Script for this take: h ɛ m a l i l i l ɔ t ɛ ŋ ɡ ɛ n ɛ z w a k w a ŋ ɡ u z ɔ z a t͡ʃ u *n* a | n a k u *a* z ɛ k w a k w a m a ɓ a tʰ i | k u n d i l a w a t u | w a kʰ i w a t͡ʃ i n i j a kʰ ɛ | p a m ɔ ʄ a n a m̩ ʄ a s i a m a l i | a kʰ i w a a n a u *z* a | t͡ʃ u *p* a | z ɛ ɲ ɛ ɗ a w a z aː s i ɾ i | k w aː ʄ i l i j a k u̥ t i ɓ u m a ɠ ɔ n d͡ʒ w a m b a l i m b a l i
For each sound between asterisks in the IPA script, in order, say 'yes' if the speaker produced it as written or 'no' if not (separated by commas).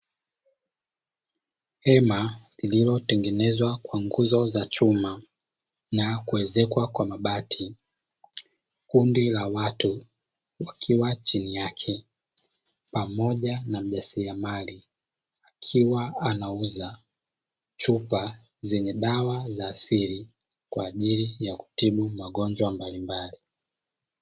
no, no, yes, yes